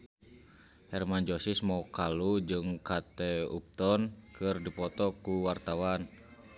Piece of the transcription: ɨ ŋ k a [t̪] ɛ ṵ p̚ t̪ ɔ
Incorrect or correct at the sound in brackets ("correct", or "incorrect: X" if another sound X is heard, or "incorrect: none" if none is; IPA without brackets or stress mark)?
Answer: correct